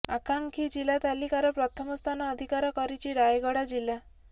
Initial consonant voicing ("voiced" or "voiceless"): voiceless